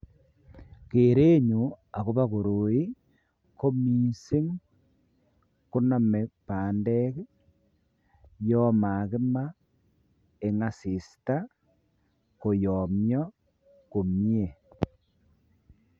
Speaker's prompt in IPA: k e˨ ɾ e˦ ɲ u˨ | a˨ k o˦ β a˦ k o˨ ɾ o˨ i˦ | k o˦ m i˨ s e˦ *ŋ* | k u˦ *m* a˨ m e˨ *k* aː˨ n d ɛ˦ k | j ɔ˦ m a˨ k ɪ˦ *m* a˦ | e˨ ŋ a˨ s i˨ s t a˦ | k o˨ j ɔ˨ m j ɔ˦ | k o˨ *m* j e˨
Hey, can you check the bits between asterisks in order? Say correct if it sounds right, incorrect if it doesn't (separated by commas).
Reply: correct, incorrect, incorrect, correct, correct